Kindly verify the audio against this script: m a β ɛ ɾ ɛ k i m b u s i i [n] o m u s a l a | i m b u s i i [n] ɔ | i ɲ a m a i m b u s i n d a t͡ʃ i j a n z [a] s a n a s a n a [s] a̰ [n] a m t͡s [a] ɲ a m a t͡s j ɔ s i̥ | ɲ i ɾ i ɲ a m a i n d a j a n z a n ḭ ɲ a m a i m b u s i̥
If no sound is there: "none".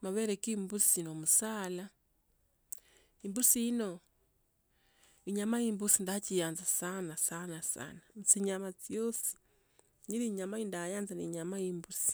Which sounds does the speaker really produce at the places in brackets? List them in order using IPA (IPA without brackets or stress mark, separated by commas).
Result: n, n, a, s, n, i